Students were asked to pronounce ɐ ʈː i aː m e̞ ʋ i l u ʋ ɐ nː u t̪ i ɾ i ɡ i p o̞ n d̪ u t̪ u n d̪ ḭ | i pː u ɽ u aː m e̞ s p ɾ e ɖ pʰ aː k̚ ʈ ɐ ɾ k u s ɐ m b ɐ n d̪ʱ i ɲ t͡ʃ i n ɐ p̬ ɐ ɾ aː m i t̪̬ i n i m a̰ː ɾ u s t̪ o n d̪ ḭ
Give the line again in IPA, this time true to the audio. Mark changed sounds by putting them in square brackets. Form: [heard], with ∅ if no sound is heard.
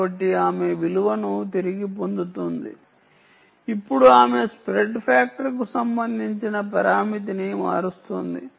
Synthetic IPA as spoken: ɐ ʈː i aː m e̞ ʋ i l u ʋ ɐ [n] u t̪ i ɾ i ɡ i p o̞ n d̪ u t̪ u n d̪ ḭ | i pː u ɽ u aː m e̞ s p ɾ e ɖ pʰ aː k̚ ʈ ɐ ɾ k u s ɐ m b ɐ n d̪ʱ i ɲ t͡ʃ i n ɐ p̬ ɐ ɾ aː m i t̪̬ i n i m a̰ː ɾ u s t̪ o n d̪ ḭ

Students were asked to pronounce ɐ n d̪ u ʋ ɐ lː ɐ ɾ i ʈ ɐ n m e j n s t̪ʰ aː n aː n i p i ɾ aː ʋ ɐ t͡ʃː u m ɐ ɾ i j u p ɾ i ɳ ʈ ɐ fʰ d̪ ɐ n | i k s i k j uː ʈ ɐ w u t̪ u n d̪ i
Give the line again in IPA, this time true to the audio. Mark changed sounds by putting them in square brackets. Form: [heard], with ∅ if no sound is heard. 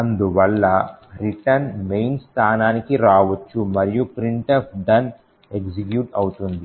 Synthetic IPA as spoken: ɐ n d̪ u ʋ ɐ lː ɐ ɾ i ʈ ɐ n m e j n s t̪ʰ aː n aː n i [k] i ɾ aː ʋ ɐ t͡ʃː u m ɐ ɾ i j u p ɾ i ɳ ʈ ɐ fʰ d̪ ɐ n | [e] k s i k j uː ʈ ɐ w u t̪ u n d̪ i

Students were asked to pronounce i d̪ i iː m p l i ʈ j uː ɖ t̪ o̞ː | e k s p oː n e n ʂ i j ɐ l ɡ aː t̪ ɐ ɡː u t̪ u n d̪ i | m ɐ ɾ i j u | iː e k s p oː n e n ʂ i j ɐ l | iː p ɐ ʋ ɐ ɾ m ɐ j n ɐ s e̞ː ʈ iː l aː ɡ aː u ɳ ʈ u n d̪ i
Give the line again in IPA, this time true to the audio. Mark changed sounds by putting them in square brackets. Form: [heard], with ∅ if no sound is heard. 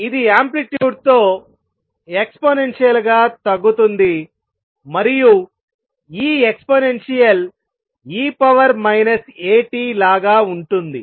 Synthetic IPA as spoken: i d̪ i [aː] m p l i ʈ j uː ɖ t̪ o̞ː | e k s p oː n e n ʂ i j ɐ l ɡ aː t̪ ɐ ɡː u t̪ u n d̪ i | m ɐ ɾ i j u | iː e k s p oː n e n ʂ i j ɐ l | iː p ɐ ʋ ɐ ɾ m ɐ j n ɐ s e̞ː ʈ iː l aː ɡ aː u ɳ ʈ u n d̪ i

